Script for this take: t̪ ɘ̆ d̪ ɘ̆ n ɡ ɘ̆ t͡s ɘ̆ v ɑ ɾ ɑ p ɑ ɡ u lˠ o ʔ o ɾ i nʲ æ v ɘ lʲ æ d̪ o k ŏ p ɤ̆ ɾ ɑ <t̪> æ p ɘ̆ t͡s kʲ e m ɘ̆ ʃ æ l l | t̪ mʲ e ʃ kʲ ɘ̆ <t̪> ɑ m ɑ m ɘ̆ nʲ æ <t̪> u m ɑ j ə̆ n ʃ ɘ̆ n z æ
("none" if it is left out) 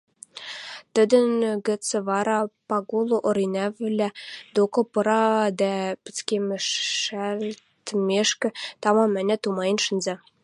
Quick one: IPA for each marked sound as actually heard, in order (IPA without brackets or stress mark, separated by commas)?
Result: d̪, t̪, t̪